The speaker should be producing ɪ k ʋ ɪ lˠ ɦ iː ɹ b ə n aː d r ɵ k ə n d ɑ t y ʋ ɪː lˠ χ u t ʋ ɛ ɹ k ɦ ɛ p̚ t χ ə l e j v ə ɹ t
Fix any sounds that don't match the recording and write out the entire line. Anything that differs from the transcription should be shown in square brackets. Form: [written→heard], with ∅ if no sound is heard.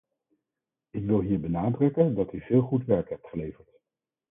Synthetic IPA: ɪ k ʋ ɪ lˠ ɦ iː ɹ b ə n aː d r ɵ k ə n d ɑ t y [ʋ→v] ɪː lˠ χ u t ʋ ɛ ɹ k ɦ ɛ p̚ t χ ə l e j v ə ɹ t